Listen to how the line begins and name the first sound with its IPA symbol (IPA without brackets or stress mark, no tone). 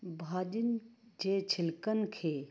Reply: bʱ